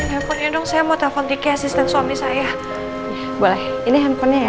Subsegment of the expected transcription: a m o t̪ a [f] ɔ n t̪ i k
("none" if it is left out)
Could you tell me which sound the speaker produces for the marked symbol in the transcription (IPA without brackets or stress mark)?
f